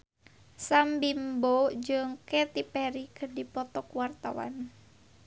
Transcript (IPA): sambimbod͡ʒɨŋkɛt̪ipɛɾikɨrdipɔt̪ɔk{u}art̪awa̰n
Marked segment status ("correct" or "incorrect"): incorrect